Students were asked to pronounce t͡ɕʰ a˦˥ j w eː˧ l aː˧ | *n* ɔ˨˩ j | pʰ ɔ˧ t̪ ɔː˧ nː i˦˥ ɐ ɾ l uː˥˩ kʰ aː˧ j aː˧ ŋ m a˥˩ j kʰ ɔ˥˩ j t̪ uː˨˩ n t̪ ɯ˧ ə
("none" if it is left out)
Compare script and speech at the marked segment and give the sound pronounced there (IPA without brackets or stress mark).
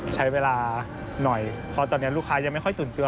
n